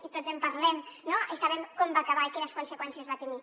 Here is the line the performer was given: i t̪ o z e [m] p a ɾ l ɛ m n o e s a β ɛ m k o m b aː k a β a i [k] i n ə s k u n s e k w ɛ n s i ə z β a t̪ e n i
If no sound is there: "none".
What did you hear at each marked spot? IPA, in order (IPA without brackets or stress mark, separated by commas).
m, k